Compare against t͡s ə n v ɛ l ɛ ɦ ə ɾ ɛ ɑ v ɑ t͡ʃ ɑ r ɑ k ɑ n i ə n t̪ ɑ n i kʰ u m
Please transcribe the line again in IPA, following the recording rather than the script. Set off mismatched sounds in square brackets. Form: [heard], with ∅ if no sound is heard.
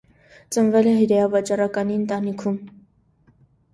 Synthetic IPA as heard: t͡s ə n v ɛ l ɛ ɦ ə ɾ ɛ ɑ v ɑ t͡ʃ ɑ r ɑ k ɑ n i ə n t̪ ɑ n i kʰ u m